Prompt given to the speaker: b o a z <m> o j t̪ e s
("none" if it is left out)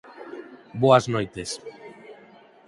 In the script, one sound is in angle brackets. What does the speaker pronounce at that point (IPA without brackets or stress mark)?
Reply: n